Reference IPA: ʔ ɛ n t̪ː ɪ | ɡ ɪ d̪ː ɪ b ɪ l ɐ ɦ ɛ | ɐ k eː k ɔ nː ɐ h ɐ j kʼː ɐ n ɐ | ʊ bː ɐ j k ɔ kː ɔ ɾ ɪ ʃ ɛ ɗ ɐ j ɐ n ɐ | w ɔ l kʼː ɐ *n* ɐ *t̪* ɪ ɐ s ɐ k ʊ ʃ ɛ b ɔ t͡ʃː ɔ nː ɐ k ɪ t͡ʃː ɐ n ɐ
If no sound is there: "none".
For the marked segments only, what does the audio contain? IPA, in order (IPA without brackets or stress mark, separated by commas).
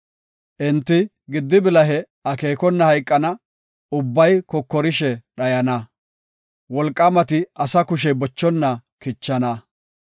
m, t̪